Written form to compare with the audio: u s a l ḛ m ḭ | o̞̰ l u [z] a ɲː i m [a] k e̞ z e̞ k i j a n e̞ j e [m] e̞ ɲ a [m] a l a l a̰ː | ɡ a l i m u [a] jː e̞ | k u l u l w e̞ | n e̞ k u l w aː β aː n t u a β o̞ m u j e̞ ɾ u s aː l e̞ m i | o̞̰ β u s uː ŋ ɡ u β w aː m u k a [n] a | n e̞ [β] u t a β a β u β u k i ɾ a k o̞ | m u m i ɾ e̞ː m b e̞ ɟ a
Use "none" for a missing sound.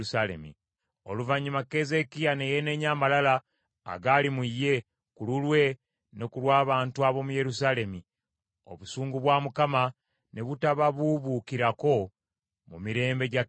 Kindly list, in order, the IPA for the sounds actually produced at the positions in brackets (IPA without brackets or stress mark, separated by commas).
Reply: v, a, n, m, i, m, β